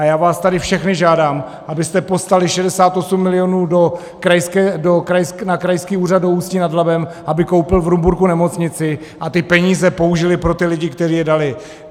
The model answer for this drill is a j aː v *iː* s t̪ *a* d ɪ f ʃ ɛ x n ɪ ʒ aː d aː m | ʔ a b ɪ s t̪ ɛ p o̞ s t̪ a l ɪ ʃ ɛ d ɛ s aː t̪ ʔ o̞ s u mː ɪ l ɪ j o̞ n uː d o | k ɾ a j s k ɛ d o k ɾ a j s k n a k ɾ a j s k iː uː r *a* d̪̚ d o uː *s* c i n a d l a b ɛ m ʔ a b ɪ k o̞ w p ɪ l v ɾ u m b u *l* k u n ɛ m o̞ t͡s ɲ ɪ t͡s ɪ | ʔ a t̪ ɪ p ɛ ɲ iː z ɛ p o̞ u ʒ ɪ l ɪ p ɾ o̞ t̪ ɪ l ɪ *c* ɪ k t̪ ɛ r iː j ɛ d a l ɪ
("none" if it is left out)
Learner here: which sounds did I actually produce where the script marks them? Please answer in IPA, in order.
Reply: aː, a, a, s, ɾ, ɟ

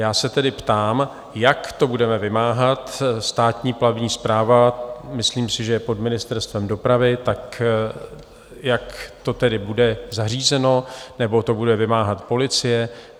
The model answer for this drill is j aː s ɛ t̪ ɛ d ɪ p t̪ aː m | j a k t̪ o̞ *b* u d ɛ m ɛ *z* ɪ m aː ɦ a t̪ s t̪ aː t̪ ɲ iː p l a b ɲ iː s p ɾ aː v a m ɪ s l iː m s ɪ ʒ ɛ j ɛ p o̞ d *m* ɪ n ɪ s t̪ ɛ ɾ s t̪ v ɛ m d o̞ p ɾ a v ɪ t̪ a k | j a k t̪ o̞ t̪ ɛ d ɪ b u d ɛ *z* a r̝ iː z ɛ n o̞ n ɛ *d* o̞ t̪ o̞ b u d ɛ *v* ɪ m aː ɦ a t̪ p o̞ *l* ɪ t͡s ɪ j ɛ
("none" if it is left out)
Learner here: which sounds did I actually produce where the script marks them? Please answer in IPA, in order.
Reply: b, v, m, z, b, v, l

